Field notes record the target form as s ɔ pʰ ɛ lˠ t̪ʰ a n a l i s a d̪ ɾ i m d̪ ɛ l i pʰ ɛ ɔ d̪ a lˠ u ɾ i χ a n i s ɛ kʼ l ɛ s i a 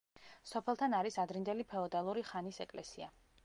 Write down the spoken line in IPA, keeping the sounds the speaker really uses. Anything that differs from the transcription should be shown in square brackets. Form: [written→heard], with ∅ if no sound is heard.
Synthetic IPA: s ɔ pʰ ɛ lˠ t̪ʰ a n a [l→ɾ] i s a d̪ ɾ i [m→n] d̪ ɛ l i pʰ ɛ ɔ d̪ a lˠ u ɾ i χ a n i s ɛ kʼ l ɛ s i a